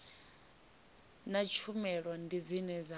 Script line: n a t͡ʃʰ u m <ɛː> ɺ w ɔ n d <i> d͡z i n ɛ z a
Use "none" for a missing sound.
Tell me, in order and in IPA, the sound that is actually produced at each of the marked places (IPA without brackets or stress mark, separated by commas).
ɛ, i